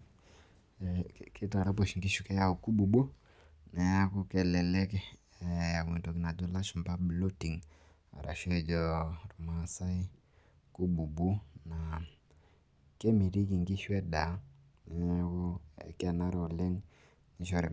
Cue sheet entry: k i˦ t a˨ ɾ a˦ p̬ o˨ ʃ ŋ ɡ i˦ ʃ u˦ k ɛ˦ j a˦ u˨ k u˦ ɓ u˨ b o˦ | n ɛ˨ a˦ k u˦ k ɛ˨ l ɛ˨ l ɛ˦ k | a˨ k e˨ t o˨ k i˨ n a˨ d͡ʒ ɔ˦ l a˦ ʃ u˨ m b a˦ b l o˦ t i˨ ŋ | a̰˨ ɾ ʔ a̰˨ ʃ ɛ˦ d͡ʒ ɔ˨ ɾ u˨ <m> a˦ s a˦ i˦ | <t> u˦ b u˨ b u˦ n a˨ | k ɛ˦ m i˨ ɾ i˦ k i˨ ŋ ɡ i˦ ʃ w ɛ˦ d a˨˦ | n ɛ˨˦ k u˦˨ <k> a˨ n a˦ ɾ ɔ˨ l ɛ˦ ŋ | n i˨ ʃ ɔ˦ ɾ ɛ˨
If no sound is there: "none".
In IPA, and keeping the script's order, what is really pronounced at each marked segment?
m, k, k

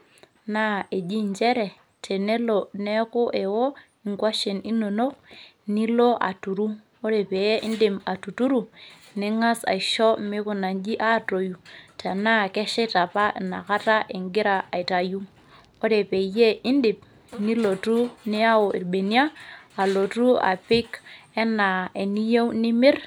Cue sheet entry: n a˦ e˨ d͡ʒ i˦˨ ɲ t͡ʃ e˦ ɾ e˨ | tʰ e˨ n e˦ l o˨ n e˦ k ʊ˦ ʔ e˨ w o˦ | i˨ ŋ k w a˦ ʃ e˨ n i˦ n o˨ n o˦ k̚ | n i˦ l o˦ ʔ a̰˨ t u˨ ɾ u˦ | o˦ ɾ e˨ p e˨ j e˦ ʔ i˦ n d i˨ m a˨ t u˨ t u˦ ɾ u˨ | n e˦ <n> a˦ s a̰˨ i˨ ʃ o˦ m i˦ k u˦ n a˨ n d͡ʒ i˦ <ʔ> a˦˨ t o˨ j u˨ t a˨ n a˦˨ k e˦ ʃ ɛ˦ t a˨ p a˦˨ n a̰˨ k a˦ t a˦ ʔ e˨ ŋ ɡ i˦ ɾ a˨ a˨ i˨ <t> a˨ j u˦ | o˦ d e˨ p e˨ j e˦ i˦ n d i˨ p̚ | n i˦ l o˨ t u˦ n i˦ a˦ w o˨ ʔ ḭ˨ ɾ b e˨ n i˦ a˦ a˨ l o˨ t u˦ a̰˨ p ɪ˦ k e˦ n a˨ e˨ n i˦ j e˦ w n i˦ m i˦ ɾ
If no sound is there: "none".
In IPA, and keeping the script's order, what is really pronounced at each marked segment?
ŋ, ʔ, t

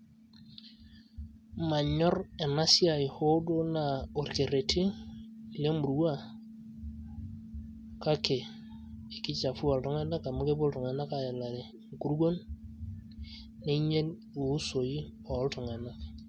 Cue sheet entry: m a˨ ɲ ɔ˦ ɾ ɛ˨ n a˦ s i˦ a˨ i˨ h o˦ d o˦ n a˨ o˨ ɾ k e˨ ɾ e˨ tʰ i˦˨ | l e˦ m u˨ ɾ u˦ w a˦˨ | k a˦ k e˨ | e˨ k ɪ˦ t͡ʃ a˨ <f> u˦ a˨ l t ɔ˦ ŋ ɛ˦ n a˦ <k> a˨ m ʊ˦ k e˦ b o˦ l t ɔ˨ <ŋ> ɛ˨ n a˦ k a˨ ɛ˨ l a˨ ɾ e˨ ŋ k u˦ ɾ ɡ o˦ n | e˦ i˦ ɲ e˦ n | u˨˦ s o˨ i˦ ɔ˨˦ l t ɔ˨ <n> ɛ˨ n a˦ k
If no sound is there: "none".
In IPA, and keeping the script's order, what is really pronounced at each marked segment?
f, k, ŋ, ŋ

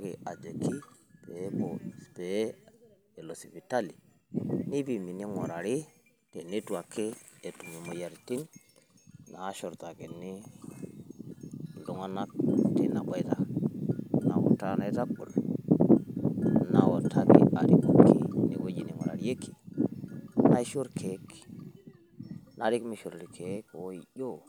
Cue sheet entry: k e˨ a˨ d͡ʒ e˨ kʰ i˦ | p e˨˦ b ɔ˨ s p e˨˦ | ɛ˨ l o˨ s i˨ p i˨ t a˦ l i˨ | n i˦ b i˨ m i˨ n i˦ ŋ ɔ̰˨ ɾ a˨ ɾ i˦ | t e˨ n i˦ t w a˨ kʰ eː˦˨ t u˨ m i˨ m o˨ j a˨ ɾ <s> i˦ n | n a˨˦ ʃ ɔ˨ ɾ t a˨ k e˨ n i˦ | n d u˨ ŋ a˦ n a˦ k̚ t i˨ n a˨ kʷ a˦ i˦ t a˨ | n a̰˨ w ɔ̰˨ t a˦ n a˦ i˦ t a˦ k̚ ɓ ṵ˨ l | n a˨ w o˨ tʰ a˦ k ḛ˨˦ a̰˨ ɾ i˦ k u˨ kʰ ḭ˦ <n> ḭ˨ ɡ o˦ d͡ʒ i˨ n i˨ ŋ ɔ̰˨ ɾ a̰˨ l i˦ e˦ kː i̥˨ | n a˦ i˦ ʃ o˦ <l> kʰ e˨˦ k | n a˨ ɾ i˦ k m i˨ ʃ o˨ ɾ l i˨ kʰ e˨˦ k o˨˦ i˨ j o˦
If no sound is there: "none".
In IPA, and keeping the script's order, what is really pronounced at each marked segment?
t, n, ɾ

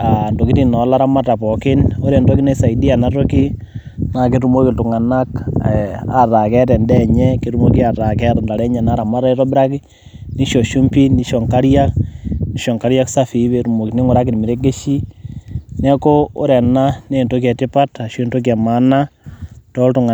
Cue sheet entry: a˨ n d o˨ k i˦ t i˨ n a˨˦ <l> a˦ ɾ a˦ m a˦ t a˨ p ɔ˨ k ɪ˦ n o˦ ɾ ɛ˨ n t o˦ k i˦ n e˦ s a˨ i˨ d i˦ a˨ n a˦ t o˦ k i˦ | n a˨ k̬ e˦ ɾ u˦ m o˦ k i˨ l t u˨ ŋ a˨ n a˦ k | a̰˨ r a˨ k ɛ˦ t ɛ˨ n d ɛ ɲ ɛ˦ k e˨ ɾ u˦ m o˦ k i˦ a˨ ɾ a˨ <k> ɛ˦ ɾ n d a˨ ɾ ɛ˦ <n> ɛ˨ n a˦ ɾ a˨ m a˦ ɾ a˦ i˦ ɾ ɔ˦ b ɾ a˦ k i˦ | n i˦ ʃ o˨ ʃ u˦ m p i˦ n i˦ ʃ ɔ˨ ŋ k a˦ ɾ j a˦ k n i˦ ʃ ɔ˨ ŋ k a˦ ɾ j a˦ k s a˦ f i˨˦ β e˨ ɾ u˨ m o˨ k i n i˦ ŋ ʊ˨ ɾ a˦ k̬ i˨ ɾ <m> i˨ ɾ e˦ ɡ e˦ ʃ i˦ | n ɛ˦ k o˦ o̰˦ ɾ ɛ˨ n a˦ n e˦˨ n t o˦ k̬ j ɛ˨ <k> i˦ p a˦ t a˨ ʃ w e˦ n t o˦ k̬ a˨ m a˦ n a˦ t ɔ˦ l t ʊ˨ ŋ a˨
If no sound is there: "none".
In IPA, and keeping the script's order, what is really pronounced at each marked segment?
l, k, ɲ, m, t

